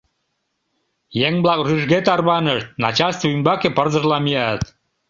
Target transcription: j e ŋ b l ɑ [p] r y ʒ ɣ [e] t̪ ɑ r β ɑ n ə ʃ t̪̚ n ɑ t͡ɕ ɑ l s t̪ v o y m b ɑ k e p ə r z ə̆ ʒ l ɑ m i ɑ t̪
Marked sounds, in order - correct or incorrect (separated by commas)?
incorrect, correct